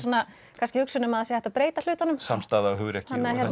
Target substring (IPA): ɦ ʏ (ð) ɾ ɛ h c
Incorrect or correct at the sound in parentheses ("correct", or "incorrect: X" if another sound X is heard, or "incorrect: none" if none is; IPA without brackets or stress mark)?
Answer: incorrect: ɣ